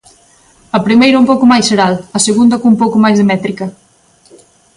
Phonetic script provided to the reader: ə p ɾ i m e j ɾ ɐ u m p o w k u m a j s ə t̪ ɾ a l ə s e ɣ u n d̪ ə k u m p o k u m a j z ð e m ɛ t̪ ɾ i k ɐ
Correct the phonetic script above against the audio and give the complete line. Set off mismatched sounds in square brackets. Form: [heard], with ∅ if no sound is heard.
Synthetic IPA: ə p ɾ i m e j ɾ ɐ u m p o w k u m a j s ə [∅] ɾ a l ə s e ɣ u n d̪ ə k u m p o k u m a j z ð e m ɛ t̪ ɾ i k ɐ